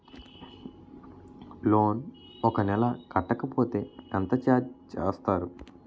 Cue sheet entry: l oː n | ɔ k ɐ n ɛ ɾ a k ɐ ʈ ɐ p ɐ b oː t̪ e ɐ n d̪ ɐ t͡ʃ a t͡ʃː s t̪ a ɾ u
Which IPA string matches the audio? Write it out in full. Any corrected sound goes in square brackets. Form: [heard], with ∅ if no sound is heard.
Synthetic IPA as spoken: l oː n | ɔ k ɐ n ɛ [l] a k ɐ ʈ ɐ [k] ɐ [p] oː t̪ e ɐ n [t̪] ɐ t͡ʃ a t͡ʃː s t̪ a ɾ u